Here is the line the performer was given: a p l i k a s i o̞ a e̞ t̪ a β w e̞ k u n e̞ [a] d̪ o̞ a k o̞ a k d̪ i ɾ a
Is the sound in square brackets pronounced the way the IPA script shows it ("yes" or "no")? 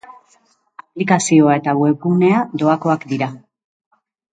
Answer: yes